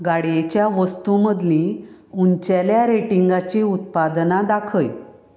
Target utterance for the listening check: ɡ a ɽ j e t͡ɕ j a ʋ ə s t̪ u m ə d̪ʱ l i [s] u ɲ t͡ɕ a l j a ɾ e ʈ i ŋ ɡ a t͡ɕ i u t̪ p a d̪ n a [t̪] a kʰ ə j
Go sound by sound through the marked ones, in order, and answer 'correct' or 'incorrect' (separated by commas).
incorrect, incorrect